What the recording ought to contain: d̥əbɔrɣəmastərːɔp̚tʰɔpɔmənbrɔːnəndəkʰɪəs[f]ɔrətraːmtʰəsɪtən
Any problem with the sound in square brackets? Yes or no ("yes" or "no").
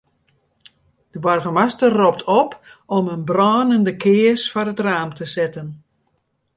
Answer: no